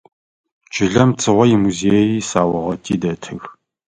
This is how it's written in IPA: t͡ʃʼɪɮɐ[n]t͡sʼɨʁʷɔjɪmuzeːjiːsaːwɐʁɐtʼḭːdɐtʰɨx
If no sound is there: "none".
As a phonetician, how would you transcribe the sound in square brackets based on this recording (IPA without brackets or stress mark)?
m